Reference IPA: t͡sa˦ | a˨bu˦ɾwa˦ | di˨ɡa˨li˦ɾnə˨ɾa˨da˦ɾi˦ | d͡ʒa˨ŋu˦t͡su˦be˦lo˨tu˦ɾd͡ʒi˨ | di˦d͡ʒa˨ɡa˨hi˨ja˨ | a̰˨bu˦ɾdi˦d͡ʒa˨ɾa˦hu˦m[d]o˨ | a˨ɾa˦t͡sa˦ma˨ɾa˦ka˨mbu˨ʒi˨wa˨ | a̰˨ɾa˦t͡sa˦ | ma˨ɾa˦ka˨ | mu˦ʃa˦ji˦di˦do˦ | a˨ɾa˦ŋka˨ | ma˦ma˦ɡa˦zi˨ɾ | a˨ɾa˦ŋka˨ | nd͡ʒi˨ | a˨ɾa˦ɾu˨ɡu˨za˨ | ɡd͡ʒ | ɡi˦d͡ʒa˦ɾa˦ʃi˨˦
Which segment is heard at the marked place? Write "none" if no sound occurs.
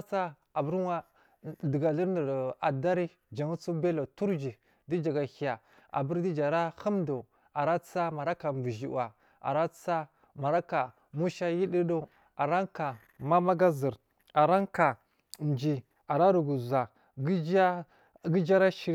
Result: d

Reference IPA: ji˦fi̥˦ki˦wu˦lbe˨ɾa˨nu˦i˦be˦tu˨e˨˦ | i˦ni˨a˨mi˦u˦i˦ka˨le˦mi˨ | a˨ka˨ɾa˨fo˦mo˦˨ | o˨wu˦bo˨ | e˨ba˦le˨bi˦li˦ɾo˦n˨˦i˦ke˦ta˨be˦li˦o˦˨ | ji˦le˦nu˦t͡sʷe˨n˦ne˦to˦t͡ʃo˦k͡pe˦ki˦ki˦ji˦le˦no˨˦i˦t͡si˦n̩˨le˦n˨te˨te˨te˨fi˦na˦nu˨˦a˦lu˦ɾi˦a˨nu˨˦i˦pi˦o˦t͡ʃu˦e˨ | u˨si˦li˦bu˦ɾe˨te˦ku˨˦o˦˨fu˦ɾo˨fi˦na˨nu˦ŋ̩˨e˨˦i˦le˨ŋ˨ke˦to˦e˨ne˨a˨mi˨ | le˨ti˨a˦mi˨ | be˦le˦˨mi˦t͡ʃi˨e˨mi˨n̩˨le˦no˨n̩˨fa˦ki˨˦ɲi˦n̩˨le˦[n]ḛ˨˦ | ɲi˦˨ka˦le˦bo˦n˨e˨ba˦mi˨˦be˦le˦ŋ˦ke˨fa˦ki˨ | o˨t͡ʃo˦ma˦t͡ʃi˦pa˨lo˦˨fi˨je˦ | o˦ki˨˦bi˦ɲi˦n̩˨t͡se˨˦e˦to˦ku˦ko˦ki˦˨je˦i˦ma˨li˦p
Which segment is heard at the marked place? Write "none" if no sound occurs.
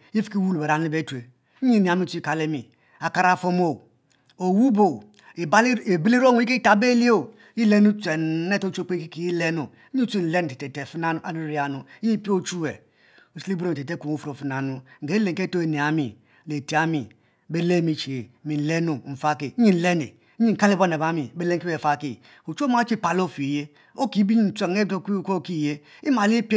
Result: n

